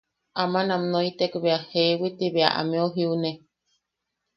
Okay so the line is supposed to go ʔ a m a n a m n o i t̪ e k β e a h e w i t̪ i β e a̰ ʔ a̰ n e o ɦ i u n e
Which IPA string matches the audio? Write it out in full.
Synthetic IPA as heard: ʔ a m a n a m n o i t̪ e k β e a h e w i t̪ i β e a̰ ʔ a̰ m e o ɦ i u n e

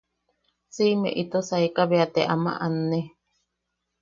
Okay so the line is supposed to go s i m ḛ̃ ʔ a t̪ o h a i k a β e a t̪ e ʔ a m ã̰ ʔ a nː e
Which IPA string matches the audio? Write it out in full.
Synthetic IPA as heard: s i m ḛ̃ ʔ i t̪ o s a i k a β e a t̪ e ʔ a m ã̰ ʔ a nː e

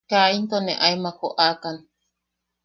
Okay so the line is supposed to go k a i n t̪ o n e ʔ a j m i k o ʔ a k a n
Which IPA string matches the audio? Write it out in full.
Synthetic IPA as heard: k a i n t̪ o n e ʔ a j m a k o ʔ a k a n

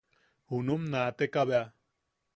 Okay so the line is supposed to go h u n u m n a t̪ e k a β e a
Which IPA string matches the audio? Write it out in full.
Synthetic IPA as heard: h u n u m n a t̪ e k a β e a

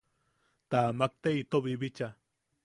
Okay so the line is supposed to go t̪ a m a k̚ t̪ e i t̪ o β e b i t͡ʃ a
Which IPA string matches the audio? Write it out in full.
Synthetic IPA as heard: t̪ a m a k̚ t̪ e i t̪ o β i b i t͡ʃ a

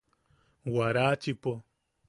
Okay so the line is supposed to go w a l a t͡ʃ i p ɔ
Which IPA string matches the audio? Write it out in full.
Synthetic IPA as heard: w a ɾ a t͡ʃ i p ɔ

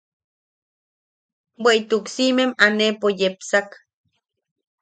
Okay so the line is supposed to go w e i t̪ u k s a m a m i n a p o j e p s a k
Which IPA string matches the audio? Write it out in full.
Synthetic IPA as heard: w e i t̪ u k s i m e m a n e p o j e p s a k

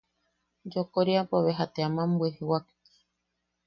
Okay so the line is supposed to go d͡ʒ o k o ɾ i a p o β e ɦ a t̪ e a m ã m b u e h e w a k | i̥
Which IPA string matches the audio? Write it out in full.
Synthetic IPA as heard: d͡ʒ o k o ɾ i a p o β e ɦ a t̪ e a m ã m b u e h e w a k | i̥

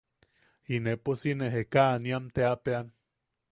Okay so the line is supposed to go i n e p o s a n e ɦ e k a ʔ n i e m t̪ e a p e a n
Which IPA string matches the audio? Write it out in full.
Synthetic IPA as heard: i n e p o s i n e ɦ e k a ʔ n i a m t̪ e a p e a n

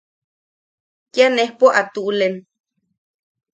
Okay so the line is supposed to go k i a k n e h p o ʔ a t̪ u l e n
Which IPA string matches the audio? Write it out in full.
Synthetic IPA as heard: k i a n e h p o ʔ a t̪ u l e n

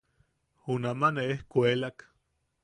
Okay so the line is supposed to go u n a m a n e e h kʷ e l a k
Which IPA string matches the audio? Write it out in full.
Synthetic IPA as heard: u n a m a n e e h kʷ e l a k

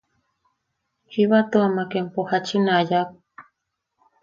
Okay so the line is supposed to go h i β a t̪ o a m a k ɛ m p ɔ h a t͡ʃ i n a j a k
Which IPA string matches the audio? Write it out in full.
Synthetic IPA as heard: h i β a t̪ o a m a k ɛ m p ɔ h a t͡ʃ i n a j a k

